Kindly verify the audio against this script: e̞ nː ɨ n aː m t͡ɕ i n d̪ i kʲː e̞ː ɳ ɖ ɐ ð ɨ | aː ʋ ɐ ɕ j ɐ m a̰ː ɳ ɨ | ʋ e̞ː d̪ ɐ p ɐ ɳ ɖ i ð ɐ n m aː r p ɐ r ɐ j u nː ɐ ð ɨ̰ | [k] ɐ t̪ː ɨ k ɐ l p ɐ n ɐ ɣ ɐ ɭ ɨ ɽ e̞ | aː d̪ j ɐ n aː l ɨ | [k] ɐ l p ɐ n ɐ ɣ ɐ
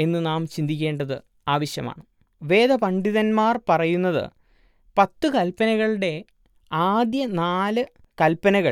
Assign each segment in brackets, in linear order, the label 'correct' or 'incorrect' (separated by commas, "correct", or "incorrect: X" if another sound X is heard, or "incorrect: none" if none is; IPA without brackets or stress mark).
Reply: incorrect: p, correct